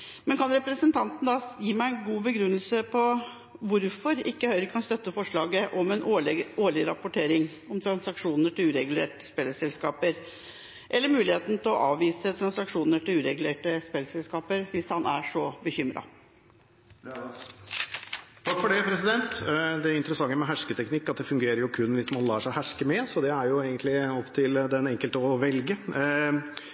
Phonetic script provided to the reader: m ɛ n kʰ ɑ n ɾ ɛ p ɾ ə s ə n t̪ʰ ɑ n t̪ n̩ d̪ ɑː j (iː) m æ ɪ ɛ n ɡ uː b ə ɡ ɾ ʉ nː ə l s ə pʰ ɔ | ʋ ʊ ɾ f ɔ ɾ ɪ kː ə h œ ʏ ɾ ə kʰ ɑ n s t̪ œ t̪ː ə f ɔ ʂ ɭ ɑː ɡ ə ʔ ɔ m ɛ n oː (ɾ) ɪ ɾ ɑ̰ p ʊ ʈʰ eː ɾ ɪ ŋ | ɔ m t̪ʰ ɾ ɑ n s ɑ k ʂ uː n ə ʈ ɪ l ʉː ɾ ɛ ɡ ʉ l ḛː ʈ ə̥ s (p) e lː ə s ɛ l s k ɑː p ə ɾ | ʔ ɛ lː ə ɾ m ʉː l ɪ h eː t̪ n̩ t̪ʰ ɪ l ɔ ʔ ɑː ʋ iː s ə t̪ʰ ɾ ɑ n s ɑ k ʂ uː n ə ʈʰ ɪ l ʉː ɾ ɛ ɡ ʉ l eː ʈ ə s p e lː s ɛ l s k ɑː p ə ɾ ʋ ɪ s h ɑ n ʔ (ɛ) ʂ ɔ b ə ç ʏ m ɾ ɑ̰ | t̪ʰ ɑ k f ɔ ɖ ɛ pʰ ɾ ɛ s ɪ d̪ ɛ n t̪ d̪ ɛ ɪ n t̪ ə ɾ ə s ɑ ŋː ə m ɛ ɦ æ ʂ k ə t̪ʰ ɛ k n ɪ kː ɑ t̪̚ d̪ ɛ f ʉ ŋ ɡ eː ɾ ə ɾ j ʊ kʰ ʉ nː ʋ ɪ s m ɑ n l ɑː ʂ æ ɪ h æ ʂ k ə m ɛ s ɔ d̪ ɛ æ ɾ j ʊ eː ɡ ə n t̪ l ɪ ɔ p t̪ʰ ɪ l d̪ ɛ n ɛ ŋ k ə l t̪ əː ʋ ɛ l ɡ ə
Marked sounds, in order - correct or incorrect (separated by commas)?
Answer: correct, incorrect, correct, incorrect